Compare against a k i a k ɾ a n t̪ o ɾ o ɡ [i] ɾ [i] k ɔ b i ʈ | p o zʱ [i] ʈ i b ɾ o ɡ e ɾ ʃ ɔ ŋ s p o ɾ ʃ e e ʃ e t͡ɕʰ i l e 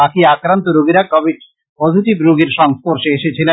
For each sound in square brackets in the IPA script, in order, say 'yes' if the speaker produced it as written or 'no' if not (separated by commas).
yes, no, yes